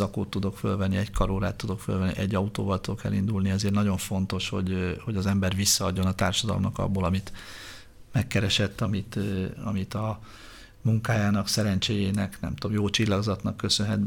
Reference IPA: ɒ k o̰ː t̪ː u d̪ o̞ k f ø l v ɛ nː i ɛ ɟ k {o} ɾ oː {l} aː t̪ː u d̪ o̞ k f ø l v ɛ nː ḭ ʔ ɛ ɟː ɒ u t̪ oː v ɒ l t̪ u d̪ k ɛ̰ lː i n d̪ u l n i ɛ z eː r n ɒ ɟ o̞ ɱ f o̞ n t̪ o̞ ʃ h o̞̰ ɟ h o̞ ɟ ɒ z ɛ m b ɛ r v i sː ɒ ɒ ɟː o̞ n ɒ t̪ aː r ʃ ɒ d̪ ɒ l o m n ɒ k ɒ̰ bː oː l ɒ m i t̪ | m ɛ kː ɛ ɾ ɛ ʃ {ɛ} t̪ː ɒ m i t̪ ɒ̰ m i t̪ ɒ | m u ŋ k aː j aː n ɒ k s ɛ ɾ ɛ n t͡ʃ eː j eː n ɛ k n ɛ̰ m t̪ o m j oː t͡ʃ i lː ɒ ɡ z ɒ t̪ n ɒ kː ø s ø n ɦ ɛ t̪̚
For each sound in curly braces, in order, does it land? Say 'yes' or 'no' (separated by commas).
no, no, yes